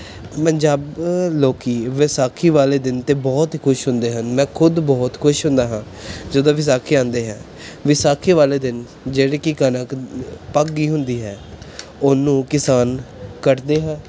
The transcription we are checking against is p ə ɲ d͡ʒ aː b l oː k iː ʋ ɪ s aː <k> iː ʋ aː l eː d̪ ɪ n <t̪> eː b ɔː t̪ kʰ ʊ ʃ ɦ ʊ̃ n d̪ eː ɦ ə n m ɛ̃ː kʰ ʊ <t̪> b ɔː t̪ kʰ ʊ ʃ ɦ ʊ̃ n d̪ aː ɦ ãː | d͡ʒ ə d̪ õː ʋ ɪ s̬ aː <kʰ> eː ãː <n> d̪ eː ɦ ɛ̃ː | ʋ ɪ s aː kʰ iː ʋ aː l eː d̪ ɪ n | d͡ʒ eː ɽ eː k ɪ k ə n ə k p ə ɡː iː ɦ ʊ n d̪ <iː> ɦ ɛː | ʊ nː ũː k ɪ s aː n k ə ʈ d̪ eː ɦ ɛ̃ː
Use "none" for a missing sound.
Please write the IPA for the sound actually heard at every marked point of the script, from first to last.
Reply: kʰ, t̪, d̪, kʰ, n, iː

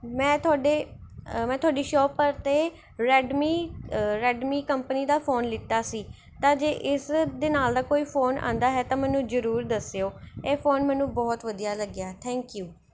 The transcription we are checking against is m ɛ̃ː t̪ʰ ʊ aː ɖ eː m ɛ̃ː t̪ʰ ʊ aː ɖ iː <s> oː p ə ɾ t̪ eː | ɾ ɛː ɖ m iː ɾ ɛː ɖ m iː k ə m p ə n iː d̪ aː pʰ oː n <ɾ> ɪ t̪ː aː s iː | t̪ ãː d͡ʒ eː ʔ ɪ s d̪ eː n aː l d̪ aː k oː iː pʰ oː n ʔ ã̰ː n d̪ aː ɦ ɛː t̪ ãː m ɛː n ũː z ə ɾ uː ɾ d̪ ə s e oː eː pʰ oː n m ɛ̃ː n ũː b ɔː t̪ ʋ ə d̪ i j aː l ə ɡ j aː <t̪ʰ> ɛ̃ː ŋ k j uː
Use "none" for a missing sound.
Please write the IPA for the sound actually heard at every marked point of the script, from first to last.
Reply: ʃ, l, t̪ʰ

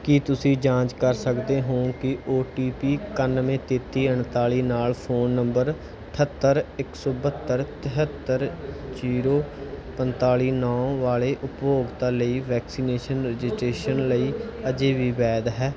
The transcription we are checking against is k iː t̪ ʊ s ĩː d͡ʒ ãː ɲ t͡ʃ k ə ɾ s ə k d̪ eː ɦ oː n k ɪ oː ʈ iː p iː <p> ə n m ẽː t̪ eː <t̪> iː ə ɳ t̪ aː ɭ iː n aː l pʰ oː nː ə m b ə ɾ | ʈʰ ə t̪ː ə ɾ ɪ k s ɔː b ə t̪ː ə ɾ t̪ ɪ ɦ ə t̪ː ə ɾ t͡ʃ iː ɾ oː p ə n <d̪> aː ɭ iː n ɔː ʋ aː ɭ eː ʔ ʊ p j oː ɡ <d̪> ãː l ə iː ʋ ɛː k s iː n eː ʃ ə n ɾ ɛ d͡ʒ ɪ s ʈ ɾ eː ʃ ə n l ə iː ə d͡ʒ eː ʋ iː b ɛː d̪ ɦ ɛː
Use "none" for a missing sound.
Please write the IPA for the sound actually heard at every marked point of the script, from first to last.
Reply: k, t̪, t̪, t̪

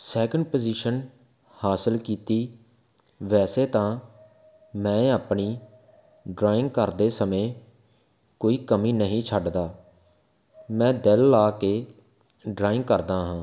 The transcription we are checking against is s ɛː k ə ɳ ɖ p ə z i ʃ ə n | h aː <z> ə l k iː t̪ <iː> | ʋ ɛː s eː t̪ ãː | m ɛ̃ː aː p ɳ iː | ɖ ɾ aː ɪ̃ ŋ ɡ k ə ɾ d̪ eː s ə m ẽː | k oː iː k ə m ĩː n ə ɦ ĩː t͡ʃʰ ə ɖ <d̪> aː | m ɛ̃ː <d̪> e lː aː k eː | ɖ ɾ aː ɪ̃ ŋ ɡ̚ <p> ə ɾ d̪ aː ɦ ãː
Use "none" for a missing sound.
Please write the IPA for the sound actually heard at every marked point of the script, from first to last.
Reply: s, iː, d̪, d̪, k

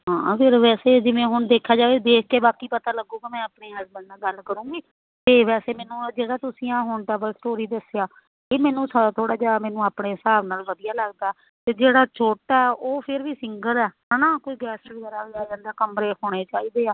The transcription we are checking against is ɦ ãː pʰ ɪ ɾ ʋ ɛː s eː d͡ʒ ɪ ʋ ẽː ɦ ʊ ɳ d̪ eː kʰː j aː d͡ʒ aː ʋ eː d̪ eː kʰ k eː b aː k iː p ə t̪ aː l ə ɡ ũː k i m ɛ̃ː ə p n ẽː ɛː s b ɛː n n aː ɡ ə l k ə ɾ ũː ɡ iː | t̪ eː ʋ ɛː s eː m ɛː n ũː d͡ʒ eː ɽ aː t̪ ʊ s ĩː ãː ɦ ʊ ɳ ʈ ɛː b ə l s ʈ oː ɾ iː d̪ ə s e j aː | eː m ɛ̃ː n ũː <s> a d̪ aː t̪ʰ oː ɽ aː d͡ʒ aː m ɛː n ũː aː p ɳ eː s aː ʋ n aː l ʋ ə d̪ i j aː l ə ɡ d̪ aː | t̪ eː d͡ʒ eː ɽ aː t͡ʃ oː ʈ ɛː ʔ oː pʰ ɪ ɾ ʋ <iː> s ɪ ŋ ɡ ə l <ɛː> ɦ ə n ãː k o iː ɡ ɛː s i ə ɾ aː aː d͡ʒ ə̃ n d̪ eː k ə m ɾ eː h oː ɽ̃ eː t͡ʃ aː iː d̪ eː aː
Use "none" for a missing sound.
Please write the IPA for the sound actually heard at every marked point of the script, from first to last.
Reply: s, iː, ɛː

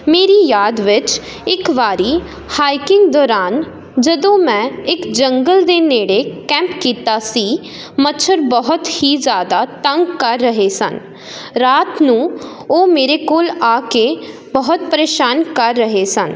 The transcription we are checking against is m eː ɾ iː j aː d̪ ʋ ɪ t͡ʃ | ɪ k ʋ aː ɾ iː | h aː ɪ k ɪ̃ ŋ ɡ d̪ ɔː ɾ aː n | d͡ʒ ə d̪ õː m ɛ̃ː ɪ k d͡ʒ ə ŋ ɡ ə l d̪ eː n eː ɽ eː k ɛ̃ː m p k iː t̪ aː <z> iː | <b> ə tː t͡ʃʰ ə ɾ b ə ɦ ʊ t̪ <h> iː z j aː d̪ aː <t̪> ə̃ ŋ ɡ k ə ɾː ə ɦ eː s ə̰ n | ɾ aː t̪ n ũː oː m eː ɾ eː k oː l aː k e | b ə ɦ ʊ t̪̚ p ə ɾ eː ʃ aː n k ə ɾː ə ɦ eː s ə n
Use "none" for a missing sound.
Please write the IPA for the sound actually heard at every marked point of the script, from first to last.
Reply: s, m, h, t̪

